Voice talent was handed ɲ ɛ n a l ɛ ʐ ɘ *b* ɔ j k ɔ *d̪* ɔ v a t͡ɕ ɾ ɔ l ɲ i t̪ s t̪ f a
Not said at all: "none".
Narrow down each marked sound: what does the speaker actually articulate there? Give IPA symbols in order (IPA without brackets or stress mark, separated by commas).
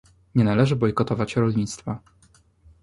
b, t̪